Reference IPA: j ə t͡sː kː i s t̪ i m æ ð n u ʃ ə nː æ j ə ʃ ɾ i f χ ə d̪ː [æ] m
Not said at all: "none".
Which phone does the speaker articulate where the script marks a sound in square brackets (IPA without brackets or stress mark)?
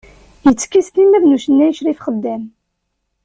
æ